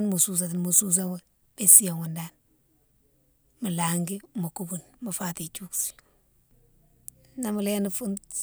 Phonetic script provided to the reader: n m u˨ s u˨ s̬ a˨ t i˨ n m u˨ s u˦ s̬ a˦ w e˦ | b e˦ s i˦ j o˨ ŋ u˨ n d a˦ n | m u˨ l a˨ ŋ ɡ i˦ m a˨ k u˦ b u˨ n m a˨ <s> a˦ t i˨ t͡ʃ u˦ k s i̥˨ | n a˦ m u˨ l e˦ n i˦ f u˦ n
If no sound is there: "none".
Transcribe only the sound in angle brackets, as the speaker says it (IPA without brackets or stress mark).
f